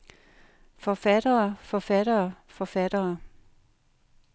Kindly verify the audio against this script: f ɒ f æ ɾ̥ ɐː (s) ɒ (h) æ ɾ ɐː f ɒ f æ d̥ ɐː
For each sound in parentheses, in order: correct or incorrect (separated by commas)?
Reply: incorrect, incorrect